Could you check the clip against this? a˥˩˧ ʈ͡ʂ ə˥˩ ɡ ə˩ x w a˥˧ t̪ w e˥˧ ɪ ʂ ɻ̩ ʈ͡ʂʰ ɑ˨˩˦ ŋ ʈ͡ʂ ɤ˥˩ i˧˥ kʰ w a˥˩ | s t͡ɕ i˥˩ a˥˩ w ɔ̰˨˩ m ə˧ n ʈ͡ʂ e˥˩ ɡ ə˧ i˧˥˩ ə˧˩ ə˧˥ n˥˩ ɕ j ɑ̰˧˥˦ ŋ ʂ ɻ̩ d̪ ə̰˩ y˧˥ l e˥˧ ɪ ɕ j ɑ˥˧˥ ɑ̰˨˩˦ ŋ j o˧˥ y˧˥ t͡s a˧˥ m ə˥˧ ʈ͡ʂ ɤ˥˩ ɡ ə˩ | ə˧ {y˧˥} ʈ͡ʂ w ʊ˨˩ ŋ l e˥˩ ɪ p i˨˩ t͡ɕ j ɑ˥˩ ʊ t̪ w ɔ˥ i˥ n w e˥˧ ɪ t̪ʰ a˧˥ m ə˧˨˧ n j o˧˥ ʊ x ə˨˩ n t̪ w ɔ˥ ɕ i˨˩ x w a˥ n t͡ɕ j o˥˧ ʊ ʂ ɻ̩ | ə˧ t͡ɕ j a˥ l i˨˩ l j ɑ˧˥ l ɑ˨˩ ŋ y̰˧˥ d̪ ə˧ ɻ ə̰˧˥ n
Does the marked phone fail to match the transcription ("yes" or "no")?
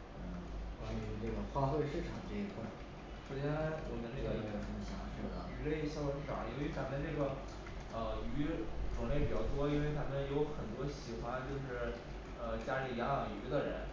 no